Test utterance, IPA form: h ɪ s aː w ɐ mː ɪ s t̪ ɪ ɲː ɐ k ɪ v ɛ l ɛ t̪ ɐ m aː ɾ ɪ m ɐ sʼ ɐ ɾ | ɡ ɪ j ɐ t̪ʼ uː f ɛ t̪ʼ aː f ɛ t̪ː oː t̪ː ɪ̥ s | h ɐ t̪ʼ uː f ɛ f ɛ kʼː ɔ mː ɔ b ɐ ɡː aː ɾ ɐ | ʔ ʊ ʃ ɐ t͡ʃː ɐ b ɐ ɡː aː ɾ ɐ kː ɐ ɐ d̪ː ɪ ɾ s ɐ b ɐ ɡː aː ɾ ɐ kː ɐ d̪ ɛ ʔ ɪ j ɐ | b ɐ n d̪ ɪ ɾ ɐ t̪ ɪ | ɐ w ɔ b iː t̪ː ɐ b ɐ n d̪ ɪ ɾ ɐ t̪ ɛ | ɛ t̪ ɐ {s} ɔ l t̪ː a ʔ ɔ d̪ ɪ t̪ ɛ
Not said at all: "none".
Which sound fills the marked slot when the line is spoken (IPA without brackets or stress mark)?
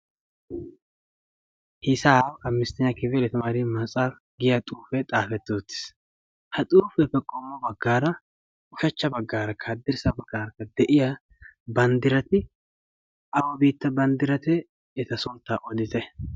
s